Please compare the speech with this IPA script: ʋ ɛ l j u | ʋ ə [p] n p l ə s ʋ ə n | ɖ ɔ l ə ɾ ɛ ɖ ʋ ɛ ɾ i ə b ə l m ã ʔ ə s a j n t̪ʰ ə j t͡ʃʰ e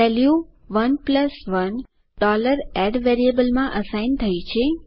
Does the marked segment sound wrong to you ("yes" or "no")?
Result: yes